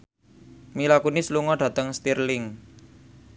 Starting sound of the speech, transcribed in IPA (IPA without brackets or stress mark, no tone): m